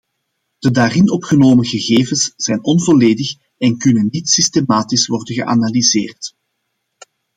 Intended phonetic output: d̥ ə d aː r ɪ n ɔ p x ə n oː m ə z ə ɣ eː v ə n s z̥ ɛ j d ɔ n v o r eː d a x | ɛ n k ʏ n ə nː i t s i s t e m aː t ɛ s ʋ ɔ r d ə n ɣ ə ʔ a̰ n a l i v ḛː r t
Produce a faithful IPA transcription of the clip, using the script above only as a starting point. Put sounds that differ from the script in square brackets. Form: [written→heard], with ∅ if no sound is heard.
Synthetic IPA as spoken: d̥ ə d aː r ɪ n ɔ p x ə n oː m ə [z→ɣ] ə ɣ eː v ə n s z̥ ɛ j [d→n] ɔ n v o [r→l] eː d [a→ə] x | ɛ n k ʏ n ə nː i t s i s t e m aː t [ɛ→i] s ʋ ɔ r d ə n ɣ ə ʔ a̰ n a l i [v→z] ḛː r t

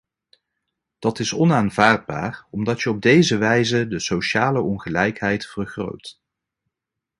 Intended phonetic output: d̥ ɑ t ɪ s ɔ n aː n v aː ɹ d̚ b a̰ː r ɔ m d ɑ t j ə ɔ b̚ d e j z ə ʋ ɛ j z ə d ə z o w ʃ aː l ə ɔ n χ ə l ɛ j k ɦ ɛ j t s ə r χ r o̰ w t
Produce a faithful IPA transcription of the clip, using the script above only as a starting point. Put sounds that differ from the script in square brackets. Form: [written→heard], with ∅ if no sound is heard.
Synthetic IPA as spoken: d̥ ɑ t ɪ s ɔ n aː n v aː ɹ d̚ b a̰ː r ɔ m d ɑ t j ə ɔ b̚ d e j z ə ʋ ɛ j z ə d ə [z→s] o w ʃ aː l ə ɔ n χ ə l ɛ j k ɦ ɛ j t [s→f] ə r χ r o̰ w t

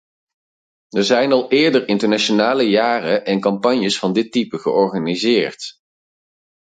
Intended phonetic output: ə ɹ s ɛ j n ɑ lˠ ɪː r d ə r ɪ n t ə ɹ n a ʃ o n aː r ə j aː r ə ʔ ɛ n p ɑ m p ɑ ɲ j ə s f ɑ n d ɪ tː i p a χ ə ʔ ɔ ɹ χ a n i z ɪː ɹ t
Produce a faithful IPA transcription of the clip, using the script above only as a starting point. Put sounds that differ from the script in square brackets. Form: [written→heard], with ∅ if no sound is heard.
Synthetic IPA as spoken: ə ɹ [s→z] ɛ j n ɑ lˠ ɪː [r→ɹ] d ə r ɪ n t ə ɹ n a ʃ o n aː [r→l] ə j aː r ə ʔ ɛ n [p→k] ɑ m p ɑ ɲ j ə s f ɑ n d ɪ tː i p [a→ə] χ ə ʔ ɔ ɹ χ a n i z ɪː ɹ t

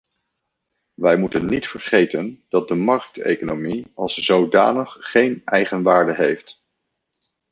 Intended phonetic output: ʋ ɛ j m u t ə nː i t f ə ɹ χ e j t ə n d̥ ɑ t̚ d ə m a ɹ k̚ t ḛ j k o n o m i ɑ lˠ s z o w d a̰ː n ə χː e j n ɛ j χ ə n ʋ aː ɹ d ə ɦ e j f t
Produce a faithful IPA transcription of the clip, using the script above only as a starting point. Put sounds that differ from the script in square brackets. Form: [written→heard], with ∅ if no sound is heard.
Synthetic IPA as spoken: ʋ ɛ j m u t ə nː i t f ə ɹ χ e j t ə n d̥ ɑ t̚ d ə m [a→ɑ] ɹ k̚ t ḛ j k o n o m i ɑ lˠ s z o w d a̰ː n ə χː e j n ɛ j χ ə n ʋ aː ɹ d ə ɦ e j f t

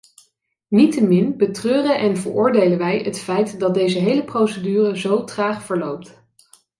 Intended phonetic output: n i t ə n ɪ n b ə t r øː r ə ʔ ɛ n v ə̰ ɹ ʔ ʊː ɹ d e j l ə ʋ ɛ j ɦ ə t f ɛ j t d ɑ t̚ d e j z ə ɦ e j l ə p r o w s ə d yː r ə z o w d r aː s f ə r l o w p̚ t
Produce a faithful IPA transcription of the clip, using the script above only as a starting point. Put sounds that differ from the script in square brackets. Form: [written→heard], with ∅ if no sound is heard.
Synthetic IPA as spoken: n i t ə [n→m] ɪ n b ə t r øː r ə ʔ ɛ n v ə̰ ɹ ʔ ʊː ɹ d e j l ə ʋ ɛ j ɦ ə t f ɛ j t d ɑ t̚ d e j z ə ɦ e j l ə p r o w s ə d yː r ə z o w [d→t] r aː [s→χ] f ə [r→ɹ] l o w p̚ t

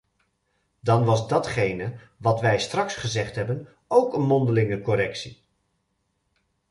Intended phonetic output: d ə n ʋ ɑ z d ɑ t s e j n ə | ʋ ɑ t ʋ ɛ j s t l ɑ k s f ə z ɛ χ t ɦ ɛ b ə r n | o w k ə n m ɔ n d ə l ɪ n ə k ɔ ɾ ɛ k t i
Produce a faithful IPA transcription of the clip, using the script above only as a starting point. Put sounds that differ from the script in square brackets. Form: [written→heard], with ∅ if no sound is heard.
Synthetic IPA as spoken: d [ə→ɑ] n ʋ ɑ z d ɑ t [s→χ] e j n ə | ʋ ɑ t ʋ ɛ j s t [l→r] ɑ k s [f→χ] ə z ɛ χ t ɦ ɛ b ə [r→∅] n | o w k ə n m ɔ n d ə l ɪ [n→ŋ] ə k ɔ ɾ ɛ k [t→s] i

